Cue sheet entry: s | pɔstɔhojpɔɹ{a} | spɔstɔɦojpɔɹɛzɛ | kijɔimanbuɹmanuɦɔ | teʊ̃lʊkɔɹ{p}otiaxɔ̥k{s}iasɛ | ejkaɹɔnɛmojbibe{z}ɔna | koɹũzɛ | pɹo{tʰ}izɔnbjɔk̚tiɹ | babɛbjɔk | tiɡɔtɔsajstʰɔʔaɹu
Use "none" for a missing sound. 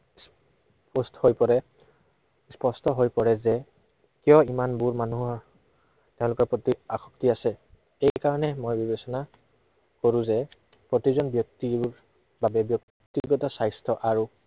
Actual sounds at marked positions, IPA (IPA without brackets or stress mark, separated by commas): ɛ, p, t, s, t